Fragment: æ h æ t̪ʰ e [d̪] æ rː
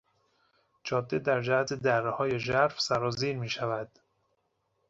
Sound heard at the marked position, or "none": d̪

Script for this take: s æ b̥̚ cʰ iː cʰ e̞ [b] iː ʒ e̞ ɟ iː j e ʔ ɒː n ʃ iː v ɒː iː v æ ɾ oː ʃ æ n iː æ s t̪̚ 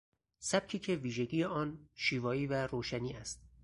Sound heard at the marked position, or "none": v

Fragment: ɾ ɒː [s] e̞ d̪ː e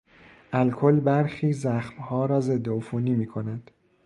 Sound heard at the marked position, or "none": z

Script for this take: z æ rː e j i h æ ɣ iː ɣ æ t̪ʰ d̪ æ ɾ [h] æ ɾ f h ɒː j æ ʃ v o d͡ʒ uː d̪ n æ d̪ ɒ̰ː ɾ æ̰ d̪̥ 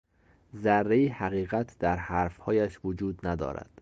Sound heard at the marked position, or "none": h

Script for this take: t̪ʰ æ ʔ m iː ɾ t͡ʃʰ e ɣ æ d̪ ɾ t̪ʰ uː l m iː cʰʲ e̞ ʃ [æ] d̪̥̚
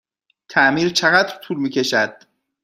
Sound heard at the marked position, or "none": æ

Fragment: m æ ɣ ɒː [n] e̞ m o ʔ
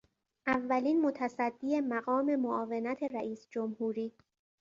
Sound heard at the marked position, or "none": m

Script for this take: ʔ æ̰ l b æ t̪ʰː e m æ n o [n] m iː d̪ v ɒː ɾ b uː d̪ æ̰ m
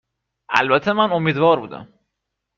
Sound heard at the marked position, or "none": none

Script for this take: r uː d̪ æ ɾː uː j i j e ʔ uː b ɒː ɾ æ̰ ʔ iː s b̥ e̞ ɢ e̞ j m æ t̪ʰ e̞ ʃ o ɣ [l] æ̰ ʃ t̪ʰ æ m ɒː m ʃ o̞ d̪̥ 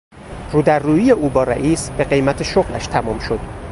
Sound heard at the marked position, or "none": l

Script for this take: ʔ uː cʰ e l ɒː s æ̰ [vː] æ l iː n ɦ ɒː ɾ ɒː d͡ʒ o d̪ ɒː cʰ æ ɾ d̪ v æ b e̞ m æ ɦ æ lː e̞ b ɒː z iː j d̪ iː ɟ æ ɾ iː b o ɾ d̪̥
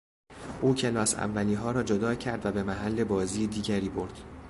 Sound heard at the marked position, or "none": vː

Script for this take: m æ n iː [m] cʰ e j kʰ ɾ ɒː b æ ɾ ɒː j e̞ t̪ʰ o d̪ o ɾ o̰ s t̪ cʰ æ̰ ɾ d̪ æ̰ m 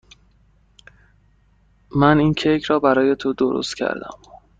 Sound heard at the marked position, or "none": n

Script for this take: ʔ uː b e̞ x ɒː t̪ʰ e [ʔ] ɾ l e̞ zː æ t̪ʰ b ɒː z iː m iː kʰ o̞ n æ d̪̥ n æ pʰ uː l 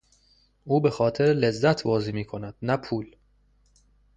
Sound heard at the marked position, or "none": none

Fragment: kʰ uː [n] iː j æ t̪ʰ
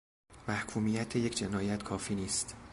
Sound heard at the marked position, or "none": m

